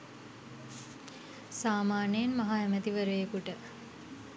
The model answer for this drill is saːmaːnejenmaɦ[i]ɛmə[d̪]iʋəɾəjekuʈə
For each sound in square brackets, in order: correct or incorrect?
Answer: incorrect: a, incorrect: t̪

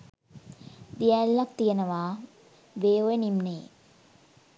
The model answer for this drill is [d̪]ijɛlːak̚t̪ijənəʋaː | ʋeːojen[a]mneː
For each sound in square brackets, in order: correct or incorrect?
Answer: correct, incorrect: i

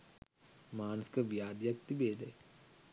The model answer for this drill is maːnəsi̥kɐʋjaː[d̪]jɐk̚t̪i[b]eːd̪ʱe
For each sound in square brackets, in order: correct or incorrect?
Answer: correct, correct

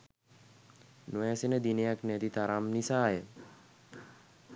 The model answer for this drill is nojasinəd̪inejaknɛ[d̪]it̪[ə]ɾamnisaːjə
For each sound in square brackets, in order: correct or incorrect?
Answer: incorrect: t̪, incorrect: a

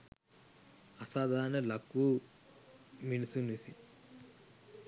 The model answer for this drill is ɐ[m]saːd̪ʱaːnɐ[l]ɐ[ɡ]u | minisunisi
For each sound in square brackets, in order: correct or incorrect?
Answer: incorrect: none, correct, incorrect: k

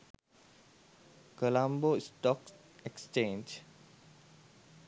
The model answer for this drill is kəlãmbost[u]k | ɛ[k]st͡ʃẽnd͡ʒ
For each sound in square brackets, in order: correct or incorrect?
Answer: incorrect: ɔ, correct

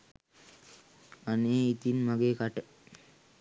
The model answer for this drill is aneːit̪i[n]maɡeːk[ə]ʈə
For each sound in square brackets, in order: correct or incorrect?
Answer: correct, incorrect: a

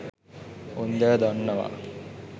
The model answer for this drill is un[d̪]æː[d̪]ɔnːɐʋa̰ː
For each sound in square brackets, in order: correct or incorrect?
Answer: correct, correct

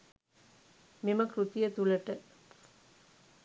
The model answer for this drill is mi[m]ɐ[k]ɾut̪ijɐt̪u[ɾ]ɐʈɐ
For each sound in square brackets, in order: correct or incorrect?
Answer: correct, correct, incorrect: l

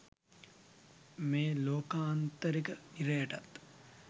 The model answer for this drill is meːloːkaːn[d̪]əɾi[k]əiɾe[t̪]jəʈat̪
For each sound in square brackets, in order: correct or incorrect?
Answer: incorrect: t̪, correct, incorrect: none

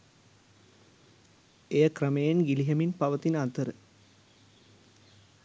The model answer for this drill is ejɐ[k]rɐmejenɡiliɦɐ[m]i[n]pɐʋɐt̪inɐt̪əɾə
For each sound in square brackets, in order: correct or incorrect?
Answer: correct, correct, correct

